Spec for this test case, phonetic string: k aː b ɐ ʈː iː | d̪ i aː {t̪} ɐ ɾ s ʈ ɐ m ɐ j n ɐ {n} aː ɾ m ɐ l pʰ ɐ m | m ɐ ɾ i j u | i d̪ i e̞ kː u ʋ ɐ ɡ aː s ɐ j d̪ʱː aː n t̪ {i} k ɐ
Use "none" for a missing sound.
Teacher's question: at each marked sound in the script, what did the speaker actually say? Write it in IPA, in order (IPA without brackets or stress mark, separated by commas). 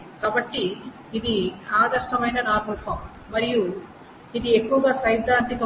d̪, n, i